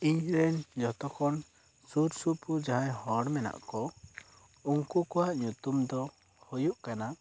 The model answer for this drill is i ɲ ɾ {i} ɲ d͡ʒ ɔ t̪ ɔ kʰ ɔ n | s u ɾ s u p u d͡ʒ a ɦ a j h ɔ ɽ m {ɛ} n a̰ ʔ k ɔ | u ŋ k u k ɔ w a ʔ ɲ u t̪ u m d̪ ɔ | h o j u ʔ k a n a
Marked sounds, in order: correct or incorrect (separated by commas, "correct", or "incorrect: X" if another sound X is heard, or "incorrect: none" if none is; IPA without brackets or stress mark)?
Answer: incorrect: ɛ, correct